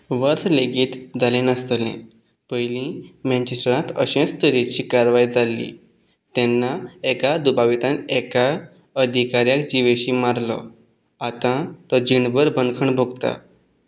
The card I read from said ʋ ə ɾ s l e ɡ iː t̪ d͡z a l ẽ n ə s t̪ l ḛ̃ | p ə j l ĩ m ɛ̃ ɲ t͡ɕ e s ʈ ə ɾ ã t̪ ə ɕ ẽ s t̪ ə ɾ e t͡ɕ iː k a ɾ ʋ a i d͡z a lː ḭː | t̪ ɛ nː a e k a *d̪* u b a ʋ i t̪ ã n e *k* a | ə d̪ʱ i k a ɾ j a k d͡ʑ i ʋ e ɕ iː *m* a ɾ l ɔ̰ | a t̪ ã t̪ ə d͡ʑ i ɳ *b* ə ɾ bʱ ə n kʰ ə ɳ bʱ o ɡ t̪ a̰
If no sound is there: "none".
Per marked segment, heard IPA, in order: d̪, k, m, b

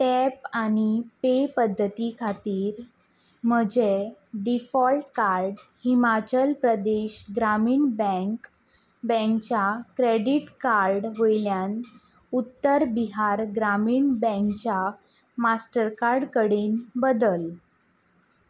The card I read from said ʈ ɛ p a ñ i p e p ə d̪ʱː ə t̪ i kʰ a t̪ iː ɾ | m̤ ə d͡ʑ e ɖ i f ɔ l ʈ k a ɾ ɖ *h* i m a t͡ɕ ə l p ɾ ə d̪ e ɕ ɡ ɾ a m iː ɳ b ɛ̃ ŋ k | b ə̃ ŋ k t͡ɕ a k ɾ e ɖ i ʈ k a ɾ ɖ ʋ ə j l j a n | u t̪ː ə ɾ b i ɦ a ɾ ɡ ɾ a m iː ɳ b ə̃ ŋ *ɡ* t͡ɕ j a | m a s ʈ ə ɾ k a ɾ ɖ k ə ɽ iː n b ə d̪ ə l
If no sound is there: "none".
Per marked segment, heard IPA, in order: h, k

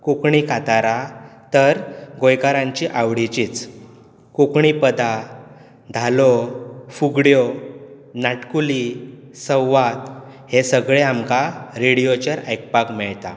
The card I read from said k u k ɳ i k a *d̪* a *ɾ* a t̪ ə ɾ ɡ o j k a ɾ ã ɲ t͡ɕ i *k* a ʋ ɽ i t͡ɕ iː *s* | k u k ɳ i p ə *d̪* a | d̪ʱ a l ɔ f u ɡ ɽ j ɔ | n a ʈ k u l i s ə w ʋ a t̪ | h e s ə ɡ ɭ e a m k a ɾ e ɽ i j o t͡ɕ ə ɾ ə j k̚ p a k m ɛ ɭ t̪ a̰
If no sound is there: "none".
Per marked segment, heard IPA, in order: t̪, ɾ, ʔ, t͡s, d̪

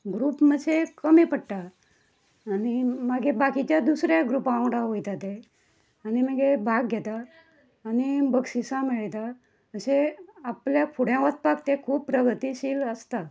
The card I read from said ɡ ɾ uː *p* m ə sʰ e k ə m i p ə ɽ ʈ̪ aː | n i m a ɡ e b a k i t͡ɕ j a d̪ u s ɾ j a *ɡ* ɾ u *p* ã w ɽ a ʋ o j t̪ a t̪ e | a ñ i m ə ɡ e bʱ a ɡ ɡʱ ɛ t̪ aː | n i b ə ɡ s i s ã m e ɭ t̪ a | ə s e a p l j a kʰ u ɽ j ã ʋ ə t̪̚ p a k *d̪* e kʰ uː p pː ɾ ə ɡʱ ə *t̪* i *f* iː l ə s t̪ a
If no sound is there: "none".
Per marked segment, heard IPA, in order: p, ɡ, p, t̪, t̪, ɕ

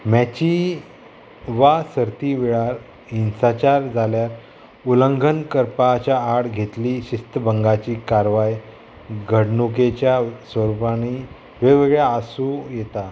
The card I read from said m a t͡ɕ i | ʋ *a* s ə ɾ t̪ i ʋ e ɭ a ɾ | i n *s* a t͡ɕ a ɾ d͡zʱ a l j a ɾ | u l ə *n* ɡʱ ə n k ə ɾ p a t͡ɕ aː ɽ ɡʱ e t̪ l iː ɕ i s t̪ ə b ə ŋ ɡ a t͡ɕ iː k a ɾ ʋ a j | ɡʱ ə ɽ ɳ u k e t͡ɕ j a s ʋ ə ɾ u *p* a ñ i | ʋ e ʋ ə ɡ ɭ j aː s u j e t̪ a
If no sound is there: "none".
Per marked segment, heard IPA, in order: a, s, ŋ, p

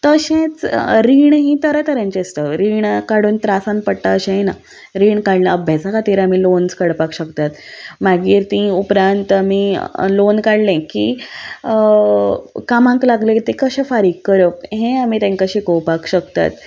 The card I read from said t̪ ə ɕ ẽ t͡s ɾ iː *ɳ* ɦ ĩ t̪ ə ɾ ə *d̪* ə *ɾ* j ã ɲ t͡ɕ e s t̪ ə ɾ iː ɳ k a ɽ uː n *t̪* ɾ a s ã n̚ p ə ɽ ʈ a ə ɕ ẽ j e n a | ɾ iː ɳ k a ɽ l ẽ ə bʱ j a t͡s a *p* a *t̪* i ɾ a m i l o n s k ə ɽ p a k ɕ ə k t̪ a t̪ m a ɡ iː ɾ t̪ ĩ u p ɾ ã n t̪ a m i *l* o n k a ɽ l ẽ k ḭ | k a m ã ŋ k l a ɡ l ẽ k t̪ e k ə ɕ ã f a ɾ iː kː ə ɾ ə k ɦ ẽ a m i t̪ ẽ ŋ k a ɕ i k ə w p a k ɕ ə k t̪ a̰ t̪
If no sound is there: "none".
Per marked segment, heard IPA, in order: ɳ, t̪, ɾ, t̪, k, t̪, l

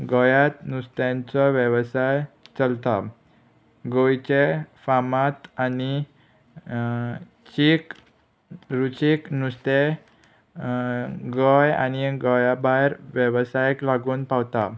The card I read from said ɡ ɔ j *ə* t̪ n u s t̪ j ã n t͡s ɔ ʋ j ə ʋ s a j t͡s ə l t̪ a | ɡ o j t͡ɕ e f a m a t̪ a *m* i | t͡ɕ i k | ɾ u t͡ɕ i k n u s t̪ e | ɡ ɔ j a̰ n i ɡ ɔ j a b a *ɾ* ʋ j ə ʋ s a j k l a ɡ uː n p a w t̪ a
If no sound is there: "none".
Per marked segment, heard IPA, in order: a, n, ɾ

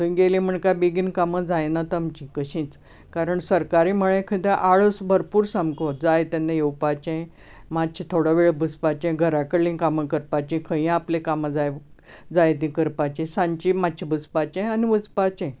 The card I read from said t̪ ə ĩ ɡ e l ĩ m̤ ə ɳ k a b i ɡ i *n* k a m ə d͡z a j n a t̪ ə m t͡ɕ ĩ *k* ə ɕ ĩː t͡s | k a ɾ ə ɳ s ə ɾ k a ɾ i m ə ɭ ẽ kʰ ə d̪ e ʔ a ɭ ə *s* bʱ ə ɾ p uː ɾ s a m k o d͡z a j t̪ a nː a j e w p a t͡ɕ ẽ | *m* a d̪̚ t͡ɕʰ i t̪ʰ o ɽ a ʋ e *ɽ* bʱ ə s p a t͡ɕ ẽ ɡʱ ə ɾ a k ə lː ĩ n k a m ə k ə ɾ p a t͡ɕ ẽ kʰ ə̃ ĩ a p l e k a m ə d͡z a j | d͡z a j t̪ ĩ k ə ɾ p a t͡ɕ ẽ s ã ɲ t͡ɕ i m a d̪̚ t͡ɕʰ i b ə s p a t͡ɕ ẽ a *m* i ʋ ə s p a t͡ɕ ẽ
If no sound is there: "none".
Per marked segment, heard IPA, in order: n, k, s, m, ɭ, n

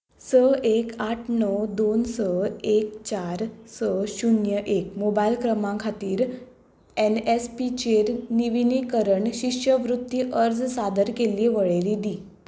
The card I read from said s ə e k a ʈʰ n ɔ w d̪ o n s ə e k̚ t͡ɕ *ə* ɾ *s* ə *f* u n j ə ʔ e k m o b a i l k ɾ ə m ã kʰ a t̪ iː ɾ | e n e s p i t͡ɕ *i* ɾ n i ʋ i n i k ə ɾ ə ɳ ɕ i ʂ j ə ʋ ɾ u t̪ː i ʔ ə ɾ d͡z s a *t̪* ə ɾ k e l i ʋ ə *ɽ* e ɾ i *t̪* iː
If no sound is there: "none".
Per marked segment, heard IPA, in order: a, s, ɕ, e, d̪, ɭ, d̪

